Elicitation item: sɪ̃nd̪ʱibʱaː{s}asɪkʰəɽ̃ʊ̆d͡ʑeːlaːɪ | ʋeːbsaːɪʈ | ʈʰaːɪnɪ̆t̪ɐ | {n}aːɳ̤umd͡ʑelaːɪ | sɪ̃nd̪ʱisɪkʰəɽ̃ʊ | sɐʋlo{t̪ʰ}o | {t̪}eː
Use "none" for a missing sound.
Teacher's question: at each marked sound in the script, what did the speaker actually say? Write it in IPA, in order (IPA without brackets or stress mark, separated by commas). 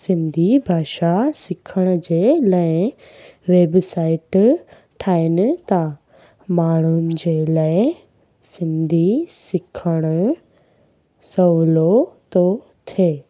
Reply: ʃ, m, t̪, t̪ʰ